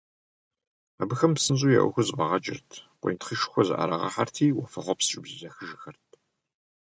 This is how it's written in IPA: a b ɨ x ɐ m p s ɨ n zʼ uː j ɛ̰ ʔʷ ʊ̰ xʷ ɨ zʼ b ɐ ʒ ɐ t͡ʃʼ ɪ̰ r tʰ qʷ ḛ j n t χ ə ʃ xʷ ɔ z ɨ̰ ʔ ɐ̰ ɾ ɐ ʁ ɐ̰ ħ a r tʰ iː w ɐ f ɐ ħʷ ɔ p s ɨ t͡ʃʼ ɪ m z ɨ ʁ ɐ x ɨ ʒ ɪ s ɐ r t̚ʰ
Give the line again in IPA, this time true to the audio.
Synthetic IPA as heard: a b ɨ x ɐ m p s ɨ n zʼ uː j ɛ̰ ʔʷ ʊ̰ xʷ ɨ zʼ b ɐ ʁ ɐ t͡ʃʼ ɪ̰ r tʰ qʷ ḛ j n t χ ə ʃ xʷ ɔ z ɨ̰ ʔ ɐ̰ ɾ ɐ ʁ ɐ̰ ħ a r tʰ iː w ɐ f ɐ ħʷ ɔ p s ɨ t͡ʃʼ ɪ b z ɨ z ɐ x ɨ ʒ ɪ x ɐ r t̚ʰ